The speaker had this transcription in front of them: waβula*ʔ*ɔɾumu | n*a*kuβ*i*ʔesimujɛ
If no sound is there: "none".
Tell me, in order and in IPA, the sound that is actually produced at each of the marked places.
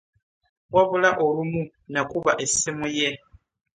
ʔ, a, a

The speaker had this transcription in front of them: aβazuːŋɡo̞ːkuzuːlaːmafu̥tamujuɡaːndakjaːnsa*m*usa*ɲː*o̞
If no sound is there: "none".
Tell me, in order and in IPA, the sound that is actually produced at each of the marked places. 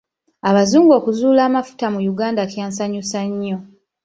ɲ, ɲː

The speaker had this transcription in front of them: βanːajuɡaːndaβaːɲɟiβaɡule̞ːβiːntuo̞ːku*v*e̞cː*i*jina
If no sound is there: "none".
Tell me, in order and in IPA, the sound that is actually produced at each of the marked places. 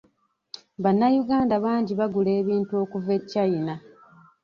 v, a

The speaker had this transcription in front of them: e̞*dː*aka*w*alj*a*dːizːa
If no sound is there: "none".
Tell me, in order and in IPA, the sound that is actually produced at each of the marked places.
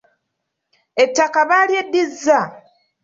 tː, β, e

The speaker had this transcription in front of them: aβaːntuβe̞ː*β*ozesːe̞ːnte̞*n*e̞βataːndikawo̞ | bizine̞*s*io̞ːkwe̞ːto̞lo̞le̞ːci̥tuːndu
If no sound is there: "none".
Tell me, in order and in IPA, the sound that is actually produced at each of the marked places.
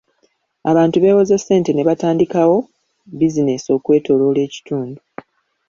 w, n, s

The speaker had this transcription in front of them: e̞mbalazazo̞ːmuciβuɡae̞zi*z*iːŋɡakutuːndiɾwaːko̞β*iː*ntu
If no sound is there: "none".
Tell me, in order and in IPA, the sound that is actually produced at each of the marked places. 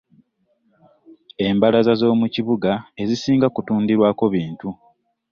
s, iː

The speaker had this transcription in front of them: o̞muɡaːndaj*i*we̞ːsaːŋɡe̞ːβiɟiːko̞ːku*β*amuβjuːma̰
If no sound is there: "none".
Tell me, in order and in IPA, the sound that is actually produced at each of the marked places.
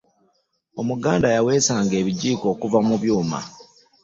a, v

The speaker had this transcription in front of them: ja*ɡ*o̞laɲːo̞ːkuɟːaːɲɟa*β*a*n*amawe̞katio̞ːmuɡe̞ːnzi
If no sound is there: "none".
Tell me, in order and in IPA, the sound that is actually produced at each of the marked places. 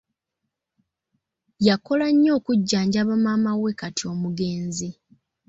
k, β, m

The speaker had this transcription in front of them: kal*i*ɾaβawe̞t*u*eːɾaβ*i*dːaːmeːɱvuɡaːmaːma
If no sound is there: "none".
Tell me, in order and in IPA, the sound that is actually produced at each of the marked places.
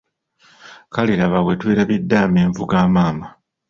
i, w, i

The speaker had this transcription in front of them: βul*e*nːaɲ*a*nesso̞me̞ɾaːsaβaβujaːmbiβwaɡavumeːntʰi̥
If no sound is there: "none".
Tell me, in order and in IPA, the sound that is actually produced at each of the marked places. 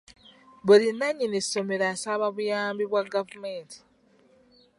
i, i

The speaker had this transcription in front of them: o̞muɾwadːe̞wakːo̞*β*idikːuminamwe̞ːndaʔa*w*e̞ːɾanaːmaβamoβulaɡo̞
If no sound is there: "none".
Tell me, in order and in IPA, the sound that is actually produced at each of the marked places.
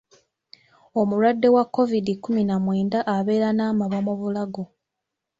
v, β

